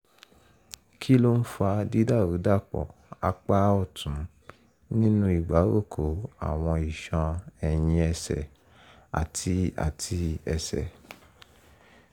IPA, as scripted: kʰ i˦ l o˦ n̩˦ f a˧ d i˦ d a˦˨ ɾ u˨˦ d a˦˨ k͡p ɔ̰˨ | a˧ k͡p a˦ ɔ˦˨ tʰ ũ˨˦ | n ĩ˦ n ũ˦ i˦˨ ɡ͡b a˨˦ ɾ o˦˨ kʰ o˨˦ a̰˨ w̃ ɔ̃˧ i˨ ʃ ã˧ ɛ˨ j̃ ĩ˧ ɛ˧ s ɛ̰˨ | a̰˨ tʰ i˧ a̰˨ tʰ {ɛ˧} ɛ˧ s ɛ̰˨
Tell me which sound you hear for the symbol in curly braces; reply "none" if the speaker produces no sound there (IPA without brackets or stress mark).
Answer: i˧